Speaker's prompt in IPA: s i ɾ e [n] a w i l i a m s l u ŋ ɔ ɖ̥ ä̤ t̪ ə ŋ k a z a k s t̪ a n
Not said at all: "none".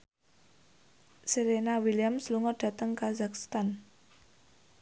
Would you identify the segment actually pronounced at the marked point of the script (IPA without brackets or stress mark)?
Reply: n